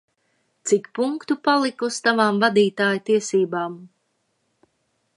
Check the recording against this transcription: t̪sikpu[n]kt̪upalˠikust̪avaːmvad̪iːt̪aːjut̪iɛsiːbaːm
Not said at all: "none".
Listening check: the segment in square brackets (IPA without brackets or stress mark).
ŋ